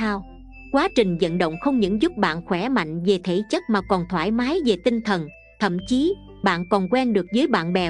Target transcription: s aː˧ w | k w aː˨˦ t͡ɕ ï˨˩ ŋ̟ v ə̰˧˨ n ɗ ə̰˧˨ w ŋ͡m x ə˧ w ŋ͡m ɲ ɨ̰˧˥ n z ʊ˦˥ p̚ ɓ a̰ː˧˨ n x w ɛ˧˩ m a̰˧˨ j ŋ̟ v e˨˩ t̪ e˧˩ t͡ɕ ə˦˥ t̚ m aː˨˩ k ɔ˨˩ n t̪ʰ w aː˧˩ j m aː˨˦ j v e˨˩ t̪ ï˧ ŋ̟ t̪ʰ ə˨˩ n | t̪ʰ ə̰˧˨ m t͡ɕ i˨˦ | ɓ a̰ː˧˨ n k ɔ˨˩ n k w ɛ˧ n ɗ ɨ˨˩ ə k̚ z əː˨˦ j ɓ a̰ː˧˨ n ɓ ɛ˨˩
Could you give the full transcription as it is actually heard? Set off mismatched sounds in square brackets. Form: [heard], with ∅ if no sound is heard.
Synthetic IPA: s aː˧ w | k w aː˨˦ t͡ɕ ï˨˩ ŋ̟ [z] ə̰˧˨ n ɗ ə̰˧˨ w ŋ͡m x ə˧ w ŋ͡m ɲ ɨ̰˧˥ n z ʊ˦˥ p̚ ɓ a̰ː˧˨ n x w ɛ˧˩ m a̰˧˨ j ŋ̟ v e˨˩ [t̪ʰ] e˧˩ t͡ɕ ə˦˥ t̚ m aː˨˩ k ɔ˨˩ n t̪ʰ w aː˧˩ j m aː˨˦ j v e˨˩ t̪ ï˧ ŋ̟ t̪ʰ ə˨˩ n | t̪ʰ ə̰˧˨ m t͡ɕ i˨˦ | ɓ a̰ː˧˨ n k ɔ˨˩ n k w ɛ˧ n ɗ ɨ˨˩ ə k̚ z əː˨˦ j ɓ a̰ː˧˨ n ɓ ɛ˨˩